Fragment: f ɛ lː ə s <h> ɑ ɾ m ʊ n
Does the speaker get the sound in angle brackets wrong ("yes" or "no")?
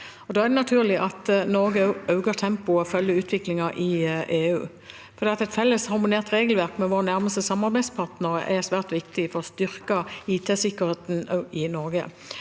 no